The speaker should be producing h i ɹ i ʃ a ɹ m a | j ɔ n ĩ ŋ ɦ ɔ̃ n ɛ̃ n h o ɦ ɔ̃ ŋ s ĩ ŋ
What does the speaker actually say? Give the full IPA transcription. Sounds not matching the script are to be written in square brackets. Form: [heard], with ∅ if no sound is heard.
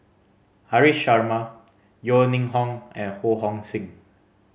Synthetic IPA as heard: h [a] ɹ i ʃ a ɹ m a | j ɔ n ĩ ŋ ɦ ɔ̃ [ŋ] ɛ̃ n h o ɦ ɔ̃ ŋ s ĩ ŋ

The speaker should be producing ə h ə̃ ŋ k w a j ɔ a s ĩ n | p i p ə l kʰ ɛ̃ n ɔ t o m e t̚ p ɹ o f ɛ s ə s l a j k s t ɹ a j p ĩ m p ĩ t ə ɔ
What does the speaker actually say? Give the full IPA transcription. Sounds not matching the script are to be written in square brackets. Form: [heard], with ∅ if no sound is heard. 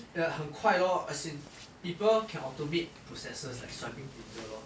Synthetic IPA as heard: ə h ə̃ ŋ [kʰ] w a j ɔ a s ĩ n | p i p ə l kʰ ɛ̃ n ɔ t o m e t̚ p ɹ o [s] ɛ s ə s l a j k s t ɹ a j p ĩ [ŋ] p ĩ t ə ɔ

